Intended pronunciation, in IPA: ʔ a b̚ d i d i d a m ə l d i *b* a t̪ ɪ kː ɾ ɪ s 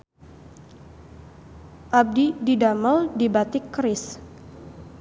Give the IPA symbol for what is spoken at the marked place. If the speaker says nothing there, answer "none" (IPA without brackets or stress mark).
b